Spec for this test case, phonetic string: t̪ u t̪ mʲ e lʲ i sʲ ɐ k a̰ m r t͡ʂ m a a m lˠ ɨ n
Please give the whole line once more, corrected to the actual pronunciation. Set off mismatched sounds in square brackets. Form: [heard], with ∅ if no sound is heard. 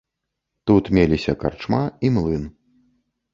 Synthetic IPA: t̪ u t̪ mʲ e lʲ i sʲ ɐ k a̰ [∅] r t͡ʂ m a [i] m lˠ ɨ n